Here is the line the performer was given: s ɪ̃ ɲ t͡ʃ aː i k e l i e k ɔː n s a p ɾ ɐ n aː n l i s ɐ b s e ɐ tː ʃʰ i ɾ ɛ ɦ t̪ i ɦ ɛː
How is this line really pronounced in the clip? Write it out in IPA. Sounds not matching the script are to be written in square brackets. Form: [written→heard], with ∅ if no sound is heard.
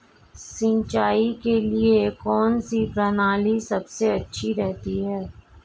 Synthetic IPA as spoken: s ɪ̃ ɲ t͡ʃ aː i k e l i e k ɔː n s [a→i] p ɾ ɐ n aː [n→∅] l i s ɐ b s e ɐ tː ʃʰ i ɾ ɛ ɦ t̪ i ɦ ɛː

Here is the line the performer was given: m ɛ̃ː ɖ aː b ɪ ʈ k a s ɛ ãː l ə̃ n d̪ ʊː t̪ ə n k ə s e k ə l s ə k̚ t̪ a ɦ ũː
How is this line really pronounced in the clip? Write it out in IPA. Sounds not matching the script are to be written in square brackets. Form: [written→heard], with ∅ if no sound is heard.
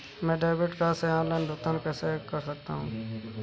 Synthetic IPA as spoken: m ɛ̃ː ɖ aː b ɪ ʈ k a s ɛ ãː l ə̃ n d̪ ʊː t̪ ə n k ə s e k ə [l→ɾ] s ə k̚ t̪ a ɦ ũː

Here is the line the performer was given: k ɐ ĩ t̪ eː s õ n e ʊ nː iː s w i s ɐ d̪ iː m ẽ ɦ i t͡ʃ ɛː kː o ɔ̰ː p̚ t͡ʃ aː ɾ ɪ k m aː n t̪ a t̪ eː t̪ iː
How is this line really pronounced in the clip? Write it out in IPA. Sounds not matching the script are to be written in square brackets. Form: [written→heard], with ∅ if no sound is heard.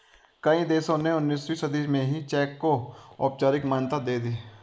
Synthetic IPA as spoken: k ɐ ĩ [t̪→d̪] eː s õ n e ʊ nː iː s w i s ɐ d̪ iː m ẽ ɦ i t͡ʃ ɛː kː o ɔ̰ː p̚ t͡ʃ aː ɾ ɪ k m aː n t̪ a [t̪→d̪] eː [t̪→d̪] iː

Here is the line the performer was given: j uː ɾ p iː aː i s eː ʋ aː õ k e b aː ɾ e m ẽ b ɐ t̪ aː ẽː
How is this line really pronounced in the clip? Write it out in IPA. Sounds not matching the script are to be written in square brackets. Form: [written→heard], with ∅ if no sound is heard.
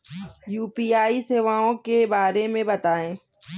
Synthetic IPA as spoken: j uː [ɾ→∅] p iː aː i s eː ʋ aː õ k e b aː ɾ e m ẽ b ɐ t̪ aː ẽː

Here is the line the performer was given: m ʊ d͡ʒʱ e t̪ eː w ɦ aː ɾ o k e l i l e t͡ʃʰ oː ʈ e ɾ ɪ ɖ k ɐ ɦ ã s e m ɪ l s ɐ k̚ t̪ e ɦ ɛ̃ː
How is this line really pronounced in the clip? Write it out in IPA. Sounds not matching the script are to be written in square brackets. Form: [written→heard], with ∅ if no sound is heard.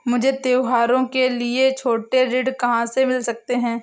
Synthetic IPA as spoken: m ʊ d͡ʒʱ e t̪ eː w ɦ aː ɾ [o→õ] k e l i [l→∅] e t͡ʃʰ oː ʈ e ɾ ɪ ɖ k ɐ ɦ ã s e m ɪ l s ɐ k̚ t̪ e ɦ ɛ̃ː

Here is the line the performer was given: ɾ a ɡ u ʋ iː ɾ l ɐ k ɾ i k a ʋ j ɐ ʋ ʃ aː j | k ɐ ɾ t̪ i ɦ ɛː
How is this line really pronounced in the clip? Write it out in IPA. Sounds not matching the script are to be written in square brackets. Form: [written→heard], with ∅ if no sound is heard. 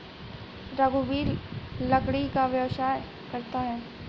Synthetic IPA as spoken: ɾ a ɡ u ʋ iː ɾ l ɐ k [ɾ→ɽ] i k a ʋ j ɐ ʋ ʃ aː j | k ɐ ɾ t̪ [i→a] ɦ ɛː

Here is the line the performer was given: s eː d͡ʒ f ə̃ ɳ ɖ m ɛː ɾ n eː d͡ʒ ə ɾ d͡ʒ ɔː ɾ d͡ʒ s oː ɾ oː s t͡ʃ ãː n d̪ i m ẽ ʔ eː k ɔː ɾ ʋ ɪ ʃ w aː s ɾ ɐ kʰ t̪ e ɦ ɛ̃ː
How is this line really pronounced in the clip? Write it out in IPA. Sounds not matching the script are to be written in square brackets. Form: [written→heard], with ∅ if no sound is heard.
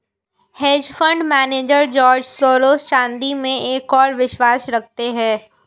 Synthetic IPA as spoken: [s→h] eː d͡ʒ f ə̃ ɳ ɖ m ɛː [ɾ→∅] n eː d͡ʒ ə ɾ d͡ʒ ɔː ɾ d͡ʒ s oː ɾ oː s t͡ʃ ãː n d̪ i m ẽ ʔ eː k ɔː ɾ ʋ ɪ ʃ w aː s ɾ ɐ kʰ t̪ e ɦ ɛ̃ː

